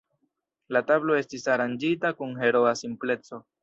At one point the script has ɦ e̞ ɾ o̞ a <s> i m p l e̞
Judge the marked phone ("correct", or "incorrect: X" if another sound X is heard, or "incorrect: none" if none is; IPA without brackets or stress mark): correct